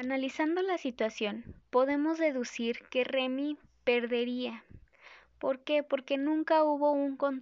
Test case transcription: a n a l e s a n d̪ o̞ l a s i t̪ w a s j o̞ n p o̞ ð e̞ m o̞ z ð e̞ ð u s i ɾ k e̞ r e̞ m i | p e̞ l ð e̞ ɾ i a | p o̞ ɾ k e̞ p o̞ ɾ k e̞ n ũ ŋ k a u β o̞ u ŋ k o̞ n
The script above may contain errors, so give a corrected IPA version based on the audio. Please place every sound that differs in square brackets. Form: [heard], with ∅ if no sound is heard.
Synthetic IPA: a n a l [i] s a n d̪ o̞ l a s i t̪ w a s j o̞ n p o̞ ð e̞ m o̞ z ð e̞ ð u s i ɾ k e̞ r e̞ m i | p e̞ [ɾ] ð e̞ ɾ i a | p o̞ ɾ k e̞ p o̞ ɾ k e̞ n ũ ŋ k a u β o̞ u ŋ k o̞ n